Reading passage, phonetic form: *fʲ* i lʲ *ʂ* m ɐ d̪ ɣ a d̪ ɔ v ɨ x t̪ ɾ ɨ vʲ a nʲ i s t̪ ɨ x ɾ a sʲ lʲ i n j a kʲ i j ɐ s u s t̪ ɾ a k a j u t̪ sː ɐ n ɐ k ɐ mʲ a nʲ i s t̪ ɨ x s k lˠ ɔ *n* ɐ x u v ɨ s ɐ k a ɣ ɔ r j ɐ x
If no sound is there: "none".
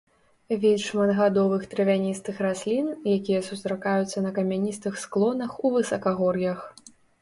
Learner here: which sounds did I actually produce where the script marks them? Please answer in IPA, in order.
vʲ, ʂ, n

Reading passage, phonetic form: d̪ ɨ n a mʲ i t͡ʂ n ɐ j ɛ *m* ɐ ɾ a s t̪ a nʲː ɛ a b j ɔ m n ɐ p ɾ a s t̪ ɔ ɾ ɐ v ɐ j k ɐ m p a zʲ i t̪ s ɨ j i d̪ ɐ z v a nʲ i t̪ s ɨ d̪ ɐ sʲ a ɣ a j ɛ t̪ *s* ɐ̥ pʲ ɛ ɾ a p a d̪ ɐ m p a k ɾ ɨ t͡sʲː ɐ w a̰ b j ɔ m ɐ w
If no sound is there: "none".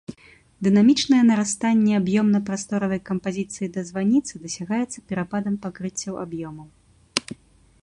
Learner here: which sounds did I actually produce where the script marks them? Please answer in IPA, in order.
n, sː

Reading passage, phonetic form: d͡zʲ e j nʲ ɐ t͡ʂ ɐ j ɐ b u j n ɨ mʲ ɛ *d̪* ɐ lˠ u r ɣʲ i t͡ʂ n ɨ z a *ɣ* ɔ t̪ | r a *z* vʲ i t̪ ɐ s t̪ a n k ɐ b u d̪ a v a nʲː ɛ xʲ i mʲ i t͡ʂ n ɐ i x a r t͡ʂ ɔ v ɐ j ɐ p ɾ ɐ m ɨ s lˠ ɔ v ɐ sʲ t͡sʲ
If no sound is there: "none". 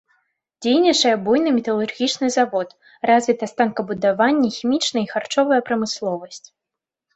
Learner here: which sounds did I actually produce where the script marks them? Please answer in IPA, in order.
t̪, v, z

